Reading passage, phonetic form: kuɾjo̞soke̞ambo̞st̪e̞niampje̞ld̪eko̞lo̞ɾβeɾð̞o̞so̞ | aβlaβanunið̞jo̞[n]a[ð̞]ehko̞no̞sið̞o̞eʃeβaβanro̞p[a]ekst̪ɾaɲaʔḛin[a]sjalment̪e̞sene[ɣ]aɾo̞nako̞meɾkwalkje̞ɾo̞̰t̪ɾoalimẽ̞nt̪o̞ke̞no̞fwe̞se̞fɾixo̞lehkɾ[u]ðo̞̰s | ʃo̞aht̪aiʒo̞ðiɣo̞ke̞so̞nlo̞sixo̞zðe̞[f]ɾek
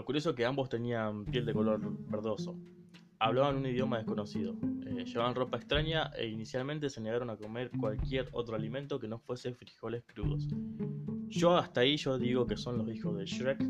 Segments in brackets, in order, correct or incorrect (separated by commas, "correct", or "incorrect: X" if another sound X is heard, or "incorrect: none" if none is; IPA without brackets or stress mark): incorrect: m, correct, correct, incorrect: i, correct, correct, incorrect: ʃ